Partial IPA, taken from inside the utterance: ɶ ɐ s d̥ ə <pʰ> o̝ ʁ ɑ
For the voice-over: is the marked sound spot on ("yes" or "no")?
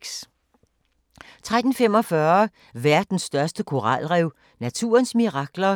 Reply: no